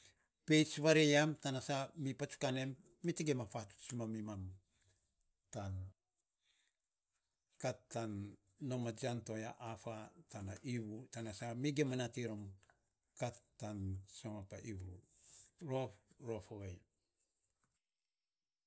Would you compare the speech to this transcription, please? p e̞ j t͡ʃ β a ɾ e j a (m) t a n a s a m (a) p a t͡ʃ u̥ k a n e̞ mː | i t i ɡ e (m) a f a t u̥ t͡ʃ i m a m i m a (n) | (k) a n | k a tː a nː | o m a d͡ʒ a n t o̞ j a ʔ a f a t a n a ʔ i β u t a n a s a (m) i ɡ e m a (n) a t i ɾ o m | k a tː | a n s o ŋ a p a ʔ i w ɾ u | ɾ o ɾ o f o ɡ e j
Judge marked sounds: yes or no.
yes, no, yes, no, no, yes, yes

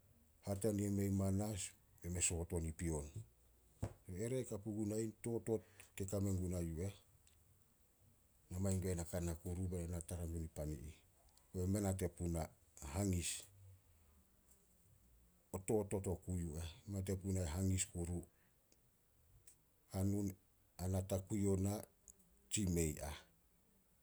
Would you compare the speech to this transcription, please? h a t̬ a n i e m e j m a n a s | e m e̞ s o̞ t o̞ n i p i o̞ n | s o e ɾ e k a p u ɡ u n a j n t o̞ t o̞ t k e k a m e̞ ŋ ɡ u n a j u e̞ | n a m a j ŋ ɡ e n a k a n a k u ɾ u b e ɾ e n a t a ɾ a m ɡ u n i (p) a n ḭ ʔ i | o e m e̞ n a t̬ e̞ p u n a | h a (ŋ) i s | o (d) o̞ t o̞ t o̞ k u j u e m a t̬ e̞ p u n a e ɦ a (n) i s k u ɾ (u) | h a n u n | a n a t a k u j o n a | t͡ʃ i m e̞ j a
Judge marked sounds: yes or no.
yes, yes, no, no, yes

